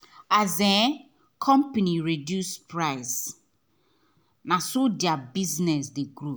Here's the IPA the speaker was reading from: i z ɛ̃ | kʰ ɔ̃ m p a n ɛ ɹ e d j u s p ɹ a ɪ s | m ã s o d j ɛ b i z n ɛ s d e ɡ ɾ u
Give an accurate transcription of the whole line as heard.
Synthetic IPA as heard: a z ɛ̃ | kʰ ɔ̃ m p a n i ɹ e d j u s p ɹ a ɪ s | n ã s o d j a b i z n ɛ s d e ɡ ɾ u